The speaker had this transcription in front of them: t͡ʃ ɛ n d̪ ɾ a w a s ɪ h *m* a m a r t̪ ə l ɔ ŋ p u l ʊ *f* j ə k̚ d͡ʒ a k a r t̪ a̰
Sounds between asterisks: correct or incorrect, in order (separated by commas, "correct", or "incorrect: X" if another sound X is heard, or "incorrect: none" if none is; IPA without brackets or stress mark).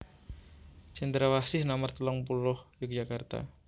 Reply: incorrect: n, incorrect: h